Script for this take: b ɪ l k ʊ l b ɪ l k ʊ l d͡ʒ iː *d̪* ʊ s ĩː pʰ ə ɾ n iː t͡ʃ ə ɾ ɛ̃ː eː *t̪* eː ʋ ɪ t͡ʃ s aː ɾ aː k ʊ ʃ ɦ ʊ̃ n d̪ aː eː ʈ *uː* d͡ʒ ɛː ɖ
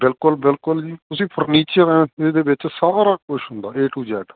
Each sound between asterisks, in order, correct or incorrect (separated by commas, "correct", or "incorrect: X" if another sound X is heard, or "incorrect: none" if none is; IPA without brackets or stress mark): incorrect: t̪, incorrect: d̪, correct